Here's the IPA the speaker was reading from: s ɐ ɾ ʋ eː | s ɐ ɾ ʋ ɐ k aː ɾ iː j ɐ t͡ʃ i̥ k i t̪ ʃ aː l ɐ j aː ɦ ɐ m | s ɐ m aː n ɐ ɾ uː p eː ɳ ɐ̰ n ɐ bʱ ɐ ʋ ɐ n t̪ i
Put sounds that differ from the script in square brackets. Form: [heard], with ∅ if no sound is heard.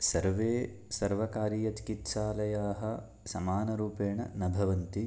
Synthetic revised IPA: s ɐ ɾ ʋ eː | s ɐ ɾ ʋ ɐ k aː ɾ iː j ɐ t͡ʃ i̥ k i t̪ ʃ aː l ɐ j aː ɦ ɐ [∅] | s ɐ m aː n ɐ ɾ uː p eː ɳ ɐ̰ n ɐ bʱ ɐ ʋ ɐ n t̪ i